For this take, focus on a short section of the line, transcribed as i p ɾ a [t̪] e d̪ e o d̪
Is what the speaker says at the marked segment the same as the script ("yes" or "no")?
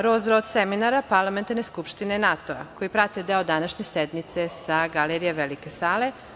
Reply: yes